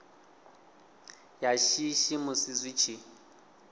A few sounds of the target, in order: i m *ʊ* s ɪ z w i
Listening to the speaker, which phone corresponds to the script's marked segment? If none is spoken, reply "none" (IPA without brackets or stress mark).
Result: ʊ